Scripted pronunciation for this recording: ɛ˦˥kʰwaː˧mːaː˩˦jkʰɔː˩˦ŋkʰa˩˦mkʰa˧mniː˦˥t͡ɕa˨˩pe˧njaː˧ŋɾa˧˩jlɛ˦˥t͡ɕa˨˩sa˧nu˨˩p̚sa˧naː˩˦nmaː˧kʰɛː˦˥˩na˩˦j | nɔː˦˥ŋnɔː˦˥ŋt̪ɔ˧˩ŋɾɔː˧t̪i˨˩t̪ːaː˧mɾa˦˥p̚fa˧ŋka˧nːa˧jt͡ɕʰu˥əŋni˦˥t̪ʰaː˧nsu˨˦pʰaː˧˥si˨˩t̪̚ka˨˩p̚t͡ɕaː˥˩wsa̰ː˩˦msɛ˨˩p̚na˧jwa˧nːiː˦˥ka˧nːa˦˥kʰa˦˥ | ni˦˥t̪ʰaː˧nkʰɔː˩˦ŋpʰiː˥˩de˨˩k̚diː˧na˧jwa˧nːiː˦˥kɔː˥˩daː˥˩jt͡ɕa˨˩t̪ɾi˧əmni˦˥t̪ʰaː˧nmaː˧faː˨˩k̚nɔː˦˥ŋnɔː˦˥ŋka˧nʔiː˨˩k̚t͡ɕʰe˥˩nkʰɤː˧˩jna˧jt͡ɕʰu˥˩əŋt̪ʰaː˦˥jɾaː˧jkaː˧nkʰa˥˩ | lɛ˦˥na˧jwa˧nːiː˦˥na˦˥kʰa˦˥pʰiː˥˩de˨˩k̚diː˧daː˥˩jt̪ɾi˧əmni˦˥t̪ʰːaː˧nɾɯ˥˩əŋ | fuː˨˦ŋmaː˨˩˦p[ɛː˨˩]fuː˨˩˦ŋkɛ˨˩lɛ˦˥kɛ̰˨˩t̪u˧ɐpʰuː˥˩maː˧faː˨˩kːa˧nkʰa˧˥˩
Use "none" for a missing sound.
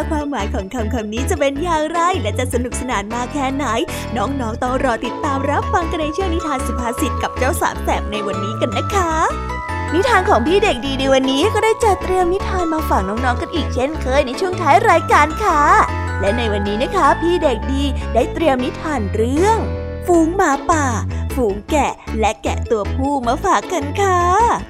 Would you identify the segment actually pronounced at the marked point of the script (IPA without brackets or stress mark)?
aː˨˩